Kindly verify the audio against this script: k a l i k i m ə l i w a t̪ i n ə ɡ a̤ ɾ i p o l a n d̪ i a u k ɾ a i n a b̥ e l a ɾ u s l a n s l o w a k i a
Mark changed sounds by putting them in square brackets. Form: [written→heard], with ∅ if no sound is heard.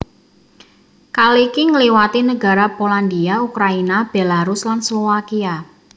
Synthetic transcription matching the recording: k a l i k i [m→ŋ] ə l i w a t̪ i n ə ɡ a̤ ɾ [i→a] p o l a n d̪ i a u k ɾ a i n a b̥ e l a ɾ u s l a n s l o w a k i a